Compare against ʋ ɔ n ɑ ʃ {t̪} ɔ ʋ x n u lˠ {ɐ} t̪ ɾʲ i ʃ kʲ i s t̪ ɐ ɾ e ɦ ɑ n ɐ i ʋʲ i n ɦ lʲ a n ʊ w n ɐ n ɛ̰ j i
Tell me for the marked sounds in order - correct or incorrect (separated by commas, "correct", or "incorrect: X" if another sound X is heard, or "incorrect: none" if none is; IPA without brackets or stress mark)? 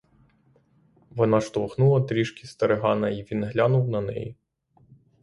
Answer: correct, correct